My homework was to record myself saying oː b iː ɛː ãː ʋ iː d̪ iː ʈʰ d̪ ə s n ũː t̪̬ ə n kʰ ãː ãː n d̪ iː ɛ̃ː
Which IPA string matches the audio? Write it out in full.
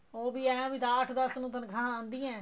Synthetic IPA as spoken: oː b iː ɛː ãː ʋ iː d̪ aː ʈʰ d̪ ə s n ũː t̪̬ ə n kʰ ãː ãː n d̪ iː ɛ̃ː